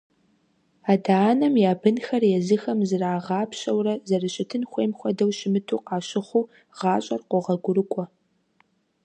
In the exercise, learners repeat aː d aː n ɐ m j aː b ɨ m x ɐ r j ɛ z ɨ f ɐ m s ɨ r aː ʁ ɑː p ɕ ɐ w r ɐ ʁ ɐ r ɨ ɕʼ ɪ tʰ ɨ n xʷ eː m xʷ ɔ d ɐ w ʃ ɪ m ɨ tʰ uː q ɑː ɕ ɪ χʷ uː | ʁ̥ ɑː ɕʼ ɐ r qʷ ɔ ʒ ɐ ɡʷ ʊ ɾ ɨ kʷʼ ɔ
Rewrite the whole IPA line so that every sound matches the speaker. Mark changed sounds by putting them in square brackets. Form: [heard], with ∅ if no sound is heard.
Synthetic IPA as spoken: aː d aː n ɐ m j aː b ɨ [n] x ɐ r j ɛ z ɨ [x] ɐ m [z] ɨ r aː ʁ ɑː p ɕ ɐ w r ɐ [z] ɐ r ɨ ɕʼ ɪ tʰ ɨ n xʷ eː m xʷ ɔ d ɐ w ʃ ɪ m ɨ tʰ uː q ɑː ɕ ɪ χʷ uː | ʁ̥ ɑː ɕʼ ɐ r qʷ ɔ [ʁ] ɐ ɡʷ ʊ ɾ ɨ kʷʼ ɔ